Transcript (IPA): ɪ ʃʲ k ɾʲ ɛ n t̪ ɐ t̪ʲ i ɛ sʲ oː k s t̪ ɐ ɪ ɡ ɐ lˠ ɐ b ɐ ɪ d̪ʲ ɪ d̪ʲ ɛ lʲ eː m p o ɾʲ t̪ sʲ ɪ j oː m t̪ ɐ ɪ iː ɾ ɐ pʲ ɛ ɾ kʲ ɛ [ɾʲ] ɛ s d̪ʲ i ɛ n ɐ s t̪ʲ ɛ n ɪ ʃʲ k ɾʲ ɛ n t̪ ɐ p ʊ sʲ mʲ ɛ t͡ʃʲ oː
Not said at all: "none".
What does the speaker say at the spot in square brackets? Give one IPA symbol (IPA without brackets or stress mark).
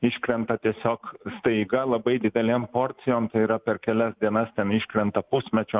lʲ